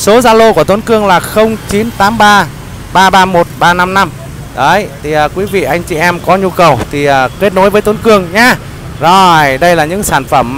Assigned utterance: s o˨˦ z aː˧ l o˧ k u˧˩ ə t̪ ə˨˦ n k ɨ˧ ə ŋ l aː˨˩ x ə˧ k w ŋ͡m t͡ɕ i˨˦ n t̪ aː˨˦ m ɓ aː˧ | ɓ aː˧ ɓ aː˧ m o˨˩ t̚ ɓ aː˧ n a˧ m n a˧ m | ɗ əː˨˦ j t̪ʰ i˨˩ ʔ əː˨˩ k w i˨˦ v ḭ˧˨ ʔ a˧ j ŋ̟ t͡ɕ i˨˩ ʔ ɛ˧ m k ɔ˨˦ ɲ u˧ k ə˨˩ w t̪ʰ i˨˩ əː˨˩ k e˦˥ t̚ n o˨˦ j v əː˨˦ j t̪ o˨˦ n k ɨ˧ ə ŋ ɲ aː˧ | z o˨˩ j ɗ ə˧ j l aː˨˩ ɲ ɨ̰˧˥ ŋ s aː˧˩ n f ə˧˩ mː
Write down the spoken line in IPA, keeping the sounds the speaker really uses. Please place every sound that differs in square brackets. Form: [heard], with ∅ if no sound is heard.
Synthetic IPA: s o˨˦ z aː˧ l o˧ k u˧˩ ə t̪ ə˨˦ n k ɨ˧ ə ŋ l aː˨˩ x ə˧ [∅] w ŋ͡m t͡ɕ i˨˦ n t̪ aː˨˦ m ɓ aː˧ | ɓ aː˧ ɓ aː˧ m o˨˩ t̚ ɓ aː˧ n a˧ m n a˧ m | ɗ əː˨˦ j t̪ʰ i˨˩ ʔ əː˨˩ k w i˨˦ v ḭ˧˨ ʔ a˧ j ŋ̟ t͡ɕ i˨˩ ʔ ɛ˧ m k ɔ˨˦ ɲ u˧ k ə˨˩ w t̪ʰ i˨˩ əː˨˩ k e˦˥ t̚ n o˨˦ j v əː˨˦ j t̪ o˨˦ n k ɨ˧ ə ŋ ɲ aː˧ | z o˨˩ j ɗ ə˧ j l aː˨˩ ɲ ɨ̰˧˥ ŋ s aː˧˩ n f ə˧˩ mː